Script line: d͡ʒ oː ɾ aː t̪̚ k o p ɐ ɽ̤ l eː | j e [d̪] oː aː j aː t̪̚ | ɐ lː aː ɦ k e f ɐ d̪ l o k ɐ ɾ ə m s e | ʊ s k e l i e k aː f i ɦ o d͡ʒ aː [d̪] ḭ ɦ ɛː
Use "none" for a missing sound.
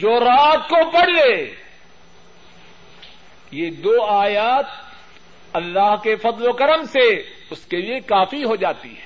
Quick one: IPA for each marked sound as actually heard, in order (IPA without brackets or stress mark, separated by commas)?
d̪, t̪